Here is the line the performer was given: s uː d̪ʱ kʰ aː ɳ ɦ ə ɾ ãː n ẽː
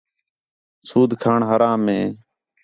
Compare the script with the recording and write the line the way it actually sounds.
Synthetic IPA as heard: s uː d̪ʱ kʰ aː ɳ ɦ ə ɾ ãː m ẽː